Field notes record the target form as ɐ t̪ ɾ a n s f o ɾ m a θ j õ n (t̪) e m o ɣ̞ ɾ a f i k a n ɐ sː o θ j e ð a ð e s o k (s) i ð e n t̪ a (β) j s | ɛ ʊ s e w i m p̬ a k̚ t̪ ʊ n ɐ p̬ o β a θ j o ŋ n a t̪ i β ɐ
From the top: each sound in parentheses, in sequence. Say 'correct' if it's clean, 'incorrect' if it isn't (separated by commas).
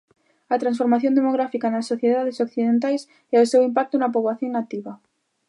incorrect, incorrect, incorrect